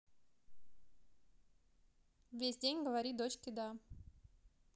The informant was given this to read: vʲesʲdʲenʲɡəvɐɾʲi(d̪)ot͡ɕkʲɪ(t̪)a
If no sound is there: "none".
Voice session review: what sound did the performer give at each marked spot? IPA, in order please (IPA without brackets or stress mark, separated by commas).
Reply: d̪, d̪